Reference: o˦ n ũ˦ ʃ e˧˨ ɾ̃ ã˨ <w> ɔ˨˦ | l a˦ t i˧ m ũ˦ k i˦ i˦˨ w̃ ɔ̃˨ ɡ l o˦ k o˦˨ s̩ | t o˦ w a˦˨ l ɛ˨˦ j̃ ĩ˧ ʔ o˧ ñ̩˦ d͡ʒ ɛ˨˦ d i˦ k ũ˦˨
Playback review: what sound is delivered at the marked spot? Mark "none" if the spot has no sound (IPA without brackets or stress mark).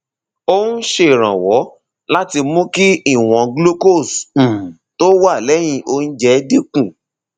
w